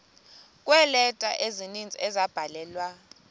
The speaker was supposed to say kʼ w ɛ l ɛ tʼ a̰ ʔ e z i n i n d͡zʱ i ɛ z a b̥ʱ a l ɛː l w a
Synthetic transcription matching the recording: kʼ w ɛ l ɛ tʼ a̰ ʔ e z i n i n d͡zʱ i ɛ z a b̥ʱ a l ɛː l w a